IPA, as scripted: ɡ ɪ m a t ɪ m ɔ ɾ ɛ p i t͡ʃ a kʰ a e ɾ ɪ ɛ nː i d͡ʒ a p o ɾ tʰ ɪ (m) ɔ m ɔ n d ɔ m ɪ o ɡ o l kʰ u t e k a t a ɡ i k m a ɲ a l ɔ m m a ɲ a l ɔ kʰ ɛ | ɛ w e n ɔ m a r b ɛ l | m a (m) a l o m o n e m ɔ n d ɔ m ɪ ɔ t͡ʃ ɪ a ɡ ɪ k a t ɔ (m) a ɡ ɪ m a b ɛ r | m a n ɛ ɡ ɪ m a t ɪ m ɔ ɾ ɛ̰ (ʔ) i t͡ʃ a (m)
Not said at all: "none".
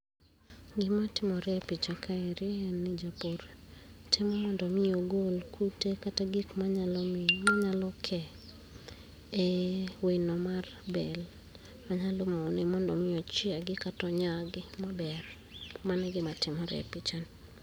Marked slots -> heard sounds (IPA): m, ɲ, ɲ, p, n

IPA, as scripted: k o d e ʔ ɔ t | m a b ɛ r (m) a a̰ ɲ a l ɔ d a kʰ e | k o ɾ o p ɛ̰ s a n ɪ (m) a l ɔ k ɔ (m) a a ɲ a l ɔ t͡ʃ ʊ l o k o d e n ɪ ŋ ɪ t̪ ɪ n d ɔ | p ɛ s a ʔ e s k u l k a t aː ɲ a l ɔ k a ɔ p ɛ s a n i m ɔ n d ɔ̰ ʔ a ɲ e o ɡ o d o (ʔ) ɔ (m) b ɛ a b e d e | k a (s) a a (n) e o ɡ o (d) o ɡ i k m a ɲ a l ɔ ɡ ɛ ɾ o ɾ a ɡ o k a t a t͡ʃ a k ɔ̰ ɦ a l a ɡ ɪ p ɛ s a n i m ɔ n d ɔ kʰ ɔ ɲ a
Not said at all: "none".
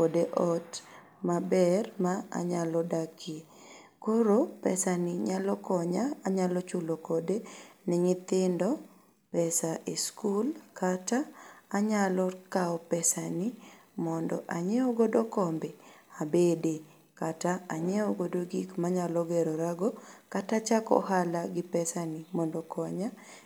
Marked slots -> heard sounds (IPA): m, ɲ, ɲ, k, m, t, ɲ, d

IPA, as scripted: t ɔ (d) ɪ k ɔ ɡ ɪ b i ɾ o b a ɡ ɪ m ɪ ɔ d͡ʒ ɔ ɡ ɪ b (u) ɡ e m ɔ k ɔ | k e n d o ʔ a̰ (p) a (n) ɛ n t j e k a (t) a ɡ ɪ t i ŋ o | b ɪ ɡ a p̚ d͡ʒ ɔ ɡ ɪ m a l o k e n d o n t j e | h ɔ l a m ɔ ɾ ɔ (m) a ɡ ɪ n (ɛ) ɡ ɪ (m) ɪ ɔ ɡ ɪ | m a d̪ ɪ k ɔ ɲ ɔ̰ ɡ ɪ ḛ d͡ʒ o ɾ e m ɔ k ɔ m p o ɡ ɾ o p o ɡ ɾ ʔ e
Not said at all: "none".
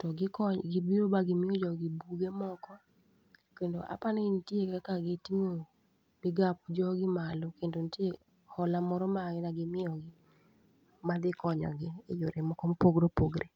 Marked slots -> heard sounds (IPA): ɡ, u, p, n, k, m, a, m

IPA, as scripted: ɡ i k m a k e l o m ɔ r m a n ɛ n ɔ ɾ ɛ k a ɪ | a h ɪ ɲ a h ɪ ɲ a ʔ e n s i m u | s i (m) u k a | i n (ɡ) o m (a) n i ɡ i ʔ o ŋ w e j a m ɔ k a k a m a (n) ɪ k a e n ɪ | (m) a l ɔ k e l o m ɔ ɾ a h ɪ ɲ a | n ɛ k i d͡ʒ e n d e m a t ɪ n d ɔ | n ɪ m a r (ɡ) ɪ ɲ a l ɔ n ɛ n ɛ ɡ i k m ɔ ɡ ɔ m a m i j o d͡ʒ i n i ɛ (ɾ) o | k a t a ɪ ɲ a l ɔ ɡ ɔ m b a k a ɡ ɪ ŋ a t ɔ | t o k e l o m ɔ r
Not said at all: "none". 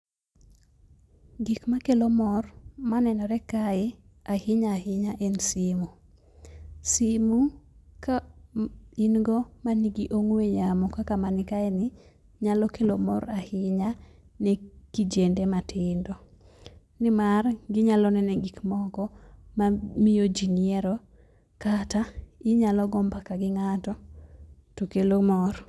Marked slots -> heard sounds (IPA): m, ɡ, a, n, ɲ, ɡ, ɾ

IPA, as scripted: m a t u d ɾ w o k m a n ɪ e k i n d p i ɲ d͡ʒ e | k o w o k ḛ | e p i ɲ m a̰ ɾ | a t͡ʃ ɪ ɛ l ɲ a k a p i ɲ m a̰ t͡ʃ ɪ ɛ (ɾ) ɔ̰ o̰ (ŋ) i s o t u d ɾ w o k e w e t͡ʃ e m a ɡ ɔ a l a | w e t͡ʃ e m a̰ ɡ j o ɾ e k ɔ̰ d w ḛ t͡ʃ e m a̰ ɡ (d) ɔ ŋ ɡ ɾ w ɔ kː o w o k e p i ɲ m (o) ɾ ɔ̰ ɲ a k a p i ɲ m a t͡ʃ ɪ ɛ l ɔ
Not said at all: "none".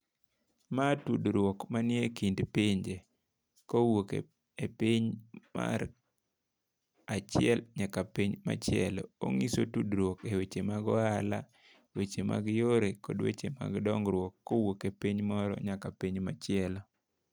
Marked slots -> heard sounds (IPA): l, ŋ, d, ɔ

